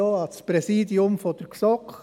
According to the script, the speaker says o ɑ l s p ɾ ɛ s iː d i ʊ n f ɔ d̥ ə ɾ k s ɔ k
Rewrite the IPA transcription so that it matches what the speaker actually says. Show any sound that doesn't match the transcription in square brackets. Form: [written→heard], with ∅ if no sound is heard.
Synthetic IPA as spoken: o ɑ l s p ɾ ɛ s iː d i ʊ [n→m] f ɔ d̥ ə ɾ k s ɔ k

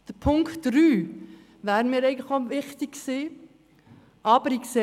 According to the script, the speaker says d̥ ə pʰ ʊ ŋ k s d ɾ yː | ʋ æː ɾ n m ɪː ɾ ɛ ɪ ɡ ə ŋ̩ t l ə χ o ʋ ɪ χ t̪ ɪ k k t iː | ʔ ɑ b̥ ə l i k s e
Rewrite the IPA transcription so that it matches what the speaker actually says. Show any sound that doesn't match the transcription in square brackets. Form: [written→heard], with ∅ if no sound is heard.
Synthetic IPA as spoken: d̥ ə pʰ ʊ ŋ k [s→t] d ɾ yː | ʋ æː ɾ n m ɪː ɾ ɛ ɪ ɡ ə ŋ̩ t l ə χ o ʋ ɪ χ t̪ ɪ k k [t→s] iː | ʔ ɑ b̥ ə [l→ɾ] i k s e

